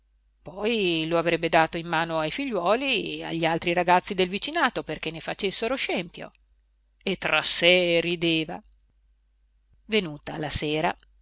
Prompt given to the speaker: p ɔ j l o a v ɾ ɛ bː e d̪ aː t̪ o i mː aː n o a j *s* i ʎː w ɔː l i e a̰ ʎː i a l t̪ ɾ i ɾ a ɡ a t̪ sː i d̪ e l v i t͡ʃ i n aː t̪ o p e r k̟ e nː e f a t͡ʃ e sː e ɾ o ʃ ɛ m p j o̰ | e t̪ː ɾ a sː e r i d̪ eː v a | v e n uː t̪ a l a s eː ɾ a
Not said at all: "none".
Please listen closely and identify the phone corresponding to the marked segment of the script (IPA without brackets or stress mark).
f